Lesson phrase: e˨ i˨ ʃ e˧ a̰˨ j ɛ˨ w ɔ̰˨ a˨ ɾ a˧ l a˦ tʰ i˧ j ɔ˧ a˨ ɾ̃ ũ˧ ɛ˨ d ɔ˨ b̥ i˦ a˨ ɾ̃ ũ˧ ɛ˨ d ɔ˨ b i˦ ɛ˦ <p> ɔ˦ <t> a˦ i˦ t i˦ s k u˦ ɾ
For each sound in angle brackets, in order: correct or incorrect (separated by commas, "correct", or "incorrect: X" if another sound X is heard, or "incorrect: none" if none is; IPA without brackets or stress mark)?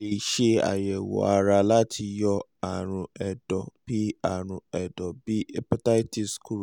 correct, correct